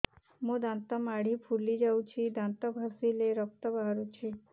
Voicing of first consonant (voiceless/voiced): voiced